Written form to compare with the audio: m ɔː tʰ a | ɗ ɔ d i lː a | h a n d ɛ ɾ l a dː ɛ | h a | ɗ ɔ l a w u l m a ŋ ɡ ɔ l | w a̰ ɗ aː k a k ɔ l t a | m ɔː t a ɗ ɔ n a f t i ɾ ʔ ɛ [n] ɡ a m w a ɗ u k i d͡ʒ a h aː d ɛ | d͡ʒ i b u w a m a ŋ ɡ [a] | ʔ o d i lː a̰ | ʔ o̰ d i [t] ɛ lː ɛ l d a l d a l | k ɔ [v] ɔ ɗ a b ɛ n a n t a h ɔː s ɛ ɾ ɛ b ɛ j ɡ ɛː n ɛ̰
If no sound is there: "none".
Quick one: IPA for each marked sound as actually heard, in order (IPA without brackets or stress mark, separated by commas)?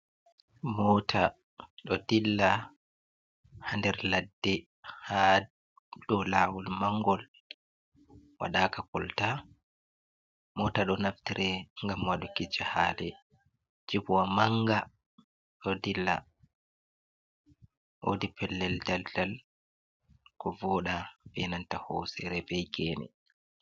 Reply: ŋ, a, p, v